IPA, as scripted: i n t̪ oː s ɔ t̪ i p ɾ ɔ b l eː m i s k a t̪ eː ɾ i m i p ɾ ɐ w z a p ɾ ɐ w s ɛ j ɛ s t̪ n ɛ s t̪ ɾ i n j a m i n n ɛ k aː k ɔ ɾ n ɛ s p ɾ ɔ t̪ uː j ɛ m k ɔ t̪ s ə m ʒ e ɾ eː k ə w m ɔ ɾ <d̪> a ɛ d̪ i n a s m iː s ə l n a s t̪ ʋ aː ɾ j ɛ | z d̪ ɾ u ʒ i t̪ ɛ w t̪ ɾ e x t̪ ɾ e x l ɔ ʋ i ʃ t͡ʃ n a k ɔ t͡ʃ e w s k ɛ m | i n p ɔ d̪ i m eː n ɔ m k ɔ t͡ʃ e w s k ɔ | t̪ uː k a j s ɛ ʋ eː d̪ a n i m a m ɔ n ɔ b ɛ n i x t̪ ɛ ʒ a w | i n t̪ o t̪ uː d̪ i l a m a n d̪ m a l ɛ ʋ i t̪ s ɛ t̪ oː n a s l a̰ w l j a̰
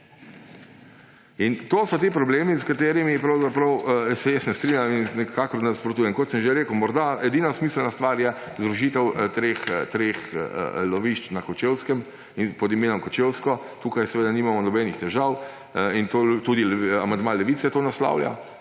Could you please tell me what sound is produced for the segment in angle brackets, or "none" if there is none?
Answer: d̪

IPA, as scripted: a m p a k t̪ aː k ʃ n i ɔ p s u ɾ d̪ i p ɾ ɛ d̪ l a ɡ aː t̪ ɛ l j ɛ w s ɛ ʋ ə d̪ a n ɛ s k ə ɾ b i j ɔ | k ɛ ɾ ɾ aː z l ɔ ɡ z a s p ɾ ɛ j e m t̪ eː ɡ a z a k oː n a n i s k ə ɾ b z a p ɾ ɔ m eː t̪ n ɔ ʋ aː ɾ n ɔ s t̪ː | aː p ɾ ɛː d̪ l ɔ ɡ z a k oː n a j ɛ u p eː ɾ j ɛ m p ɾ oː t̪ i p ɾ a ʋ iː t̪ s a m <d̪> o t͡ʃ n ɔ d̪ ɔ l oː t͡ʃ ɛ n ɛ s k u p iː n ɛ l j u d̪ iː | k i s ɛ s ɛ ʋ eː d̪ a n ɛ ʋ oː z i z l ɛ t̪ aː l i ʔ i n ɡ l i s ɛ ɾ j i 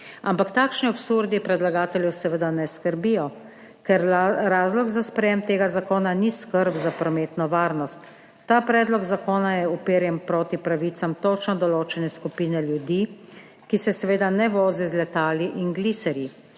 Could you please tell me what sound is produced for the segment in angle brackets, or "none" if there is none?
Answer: t̪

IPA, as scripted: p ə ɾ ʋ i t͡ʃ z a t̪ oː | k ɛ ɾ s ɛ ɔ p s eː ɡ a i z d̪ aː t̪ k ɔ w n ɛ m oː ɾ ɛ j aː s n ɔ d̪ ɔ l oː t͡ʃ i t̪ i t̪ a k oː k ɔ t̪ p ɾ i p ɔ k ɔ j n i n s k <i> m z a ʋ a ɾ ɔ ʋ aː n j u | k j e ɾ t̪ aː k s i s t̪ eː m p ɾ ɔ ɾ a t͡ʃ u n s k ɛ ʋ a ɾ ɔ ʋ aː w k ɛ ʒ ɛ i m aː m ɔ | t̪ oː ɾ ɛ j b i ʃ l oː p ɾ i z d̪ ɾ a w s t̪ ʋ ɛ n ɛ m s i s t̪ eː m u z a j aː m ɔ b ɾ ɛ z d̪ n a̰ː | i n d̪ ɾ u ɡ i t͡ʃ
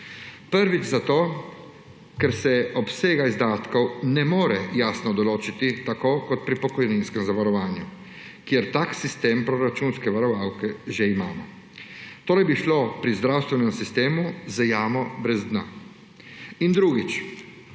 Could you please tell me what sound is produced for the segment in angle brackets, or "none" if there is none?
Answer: ɛ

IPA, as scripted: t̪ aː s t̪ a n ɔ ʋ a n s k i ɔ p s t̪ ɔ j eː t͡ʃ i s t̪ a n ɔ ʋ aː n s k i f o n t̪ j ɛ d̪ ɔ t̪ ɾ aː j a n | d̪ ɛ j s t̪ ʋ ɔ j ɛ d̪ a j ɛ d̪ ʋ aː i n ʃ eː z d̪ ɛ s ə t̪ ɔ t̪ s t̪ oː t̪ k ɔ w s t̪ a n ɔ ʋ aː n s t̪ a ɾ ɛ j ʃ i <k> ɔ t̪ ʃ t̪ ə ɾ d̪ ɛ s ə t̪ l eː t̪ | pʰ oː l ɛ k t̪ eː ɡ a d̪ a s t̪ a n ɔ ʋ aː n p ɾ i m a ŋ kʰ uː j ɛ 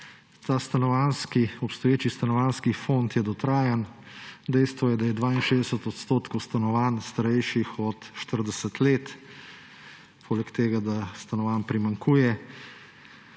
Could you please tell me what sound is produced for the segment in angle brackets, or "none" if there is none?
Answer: x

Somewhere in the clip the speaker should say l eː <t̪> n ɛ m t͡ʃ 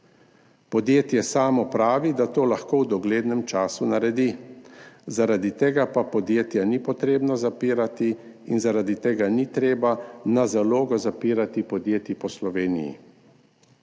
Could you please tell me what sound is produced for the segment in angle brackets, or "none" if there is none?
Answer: d̪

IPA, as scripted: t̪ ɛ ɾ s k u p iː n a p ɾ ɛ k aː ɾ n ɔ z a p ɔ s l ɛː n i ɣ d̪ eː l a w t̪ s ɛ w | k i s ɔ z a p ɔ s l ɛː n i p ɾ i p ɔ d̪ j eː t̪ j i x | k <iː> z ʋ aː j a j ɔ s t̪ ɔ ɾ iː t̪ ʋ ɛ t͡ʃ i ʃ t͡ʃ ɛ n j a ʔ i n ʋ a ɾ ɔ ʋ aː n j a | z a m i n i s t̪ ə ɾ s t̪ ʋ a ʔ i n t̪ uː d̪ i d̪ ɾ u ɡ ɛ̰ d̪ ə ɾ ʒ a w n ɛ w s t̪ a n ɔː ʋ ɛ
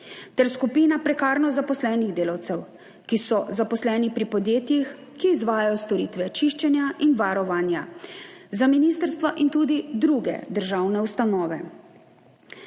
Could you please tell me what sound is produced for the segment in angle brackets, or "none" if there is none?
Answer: iː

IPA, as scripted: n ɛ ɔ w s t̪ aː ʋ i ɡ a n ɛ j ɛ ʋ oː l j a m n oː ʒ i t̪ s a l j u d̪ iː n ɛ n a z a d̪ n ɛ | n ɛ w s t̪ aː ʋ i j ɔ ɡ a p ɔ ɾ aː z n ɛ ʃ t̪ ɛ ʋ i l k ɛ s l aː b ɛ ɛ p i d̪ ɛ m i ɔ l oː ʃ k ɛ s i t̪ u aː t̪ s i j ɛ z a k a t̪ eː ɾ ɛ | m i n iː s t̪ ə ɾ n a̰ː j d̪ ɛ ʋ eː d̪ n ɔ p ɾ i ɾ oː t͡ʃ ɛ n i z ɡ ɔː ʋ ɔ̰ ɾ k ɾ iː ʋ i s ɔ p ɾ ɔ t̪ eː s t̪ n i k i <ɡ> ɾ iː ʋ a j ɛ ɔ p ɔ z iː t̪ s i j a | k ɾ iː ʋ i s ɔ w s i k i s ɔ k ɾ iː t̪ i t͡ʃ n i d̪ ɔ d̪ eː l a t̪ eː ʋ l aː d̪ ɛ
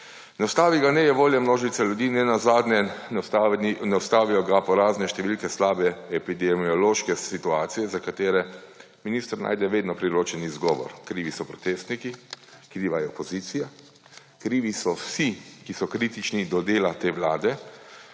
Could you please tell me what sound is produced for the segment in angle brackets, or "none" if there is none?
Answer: k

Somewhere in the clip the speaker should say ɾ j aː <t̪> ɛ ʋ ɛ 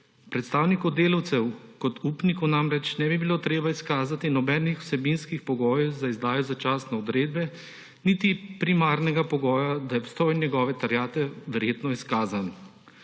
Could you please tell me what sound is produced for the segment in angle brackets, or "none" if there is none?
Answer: t̪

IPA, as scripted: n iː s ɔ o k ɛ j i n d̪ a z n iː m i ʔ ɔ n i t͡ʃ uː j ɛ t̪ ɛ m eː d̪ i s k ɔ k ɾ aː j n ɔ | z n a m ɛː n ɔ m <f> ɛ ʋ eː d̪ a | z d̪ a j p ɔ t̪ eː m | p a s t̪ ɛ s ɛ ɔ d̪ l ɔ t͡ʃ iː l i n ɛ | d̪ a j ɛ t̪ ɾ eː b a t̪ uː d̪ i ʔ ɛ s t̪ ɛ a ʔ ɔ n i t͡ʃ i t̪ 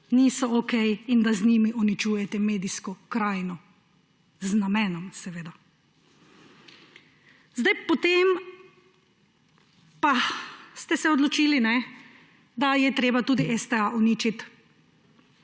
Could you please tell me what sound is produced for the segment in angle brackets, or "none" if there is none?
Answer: s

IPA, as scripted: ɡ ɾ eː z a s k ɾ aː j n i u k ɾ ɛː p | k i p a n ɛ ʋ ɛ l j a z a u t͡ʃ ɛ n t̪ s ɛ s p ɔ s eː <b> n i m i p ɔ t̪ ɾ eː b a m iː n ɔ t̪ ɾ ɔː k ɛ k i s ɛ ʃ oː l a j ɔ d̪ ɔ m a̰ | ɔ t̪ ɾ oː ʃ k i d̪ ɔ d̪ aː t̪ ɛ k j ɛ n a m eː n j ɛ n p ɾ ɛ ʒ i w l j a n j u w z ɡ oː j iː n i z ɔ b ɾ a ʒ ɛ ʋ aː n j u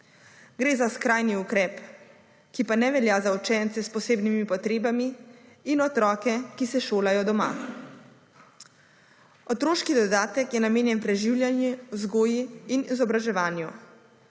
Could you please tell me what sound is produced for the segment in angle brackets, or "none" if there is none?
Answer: b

